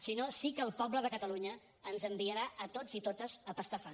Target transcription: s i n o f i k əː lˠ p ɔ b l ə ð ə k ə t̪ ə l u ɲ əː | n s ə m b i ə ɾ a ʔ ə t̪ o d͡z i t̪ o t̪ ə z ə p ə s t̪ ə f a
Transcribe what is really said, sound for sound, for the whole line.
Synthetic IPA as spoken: s i n o s i k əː lˠ p ɔ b l ə ð ə k ə t̪ ə l u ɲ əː | n z ə m b i ə ɾ a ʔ ə t̪ o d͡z i t̪ o t̪ ə z ə p ə s t̪ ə f a